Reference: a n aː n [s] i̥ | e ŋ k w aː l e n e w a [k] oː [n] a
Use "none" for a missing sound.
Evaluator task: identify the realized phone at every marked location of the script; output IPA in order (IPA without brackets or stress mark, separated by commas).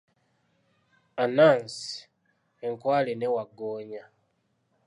s, ɡ, ɲ